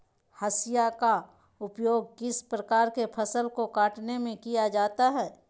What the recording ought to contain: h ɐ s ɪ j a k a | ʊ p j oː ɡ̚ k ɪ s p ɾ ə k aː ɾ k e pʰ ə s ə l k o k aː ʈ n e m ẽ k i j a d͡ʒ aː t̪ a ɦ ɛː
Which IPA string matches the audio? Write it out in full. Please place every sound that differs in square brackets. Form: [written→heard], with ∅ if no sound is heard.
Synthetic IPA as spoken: h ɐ s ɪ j a k a | ʊ p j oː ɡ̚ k ɪ s p ɾ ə k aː ɾ k e pʰ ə s ə l k o k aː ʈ n e m ẽ k i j a d͡ʒ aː t̪ a ɦ ɛː